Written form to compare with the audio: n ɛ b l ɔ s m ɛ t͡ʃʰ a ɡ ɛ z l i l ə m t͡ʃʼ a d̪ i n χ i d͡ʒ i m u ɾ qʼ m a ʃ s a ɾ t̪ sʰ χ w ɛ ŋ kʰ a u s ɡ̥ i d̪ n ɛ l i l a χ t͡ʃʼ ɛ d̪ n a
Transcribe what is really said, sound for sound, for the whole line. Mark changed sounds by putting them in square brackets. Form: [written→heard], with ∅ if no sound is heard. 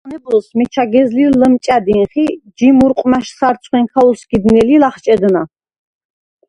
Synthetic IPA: n ɛ b l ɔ s m ɛ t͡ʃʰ a ɡ ɛ z l i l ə m t͡ʃʼ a d̪ i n χ i d͡ʒ i m u ɾ qʼ m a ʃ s a ɾ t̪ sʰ χ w ɛ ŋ kʰ a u s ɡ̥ i d̪ n ɛ l i l a χ t͡ʃʼ ɛ d̪ n a